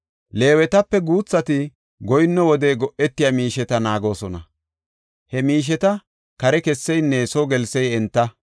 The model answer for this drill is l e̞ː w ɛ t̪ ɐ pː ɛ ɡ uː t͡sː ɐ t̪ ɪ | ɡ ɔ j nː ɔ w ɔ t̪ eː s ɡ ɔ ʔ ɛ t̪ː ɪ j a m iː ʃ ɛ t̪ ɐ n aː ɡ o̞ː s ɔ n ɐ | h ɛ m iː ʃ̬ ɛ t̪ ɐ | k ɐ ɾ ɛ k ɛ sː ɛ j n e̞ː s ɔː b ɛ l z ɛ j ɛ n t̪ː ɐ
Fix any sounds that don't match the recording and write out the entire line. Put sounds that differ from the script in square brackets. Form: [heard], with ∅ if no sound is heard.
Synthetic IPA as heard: l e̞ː w ɛ t̪ ɐ pː ɛ ɡ uː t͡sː ɐ t̪ ɪ | ɡ ɔ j nː ɔ w ɔ [d̪] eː [∅] ɡ ɔ ʔ ɛ t̪ː ɪ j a m iː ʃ ɛ t̪ ɐ n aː ɡ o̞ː s ɔ n ɐ | h ɛ m iː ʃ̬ ɛ t̪ ɐ | k ɐ ɾ ɛ k ɛ sː ɛ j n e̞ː s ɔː [ɡ] ɛ l [s] ɛ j ɛ n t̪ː ɐ